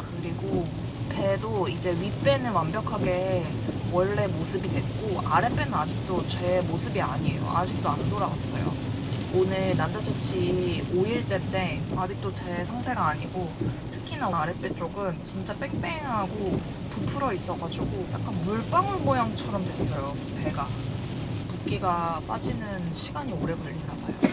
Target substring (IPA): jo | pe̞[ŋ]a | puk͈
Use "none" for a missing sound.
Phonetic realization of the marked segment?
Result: ɡ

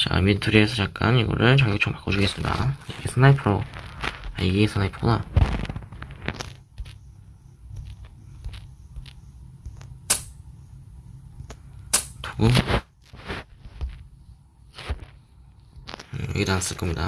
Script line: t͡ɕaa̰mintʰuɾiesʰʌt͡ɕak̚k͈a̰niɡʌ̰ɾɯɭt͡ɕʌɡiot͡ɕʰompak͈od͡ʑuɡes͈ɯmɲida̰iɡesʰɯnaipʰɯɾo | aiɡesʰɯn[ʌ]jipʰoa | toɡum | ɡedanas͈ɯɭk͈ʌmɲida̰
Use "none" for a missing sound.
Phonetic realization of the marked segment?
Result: a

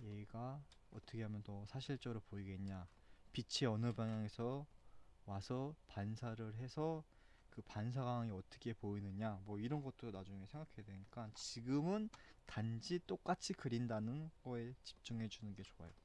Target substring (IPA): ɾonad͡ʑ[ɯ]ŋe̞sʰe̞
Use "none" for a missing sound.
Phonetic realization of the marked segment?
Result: u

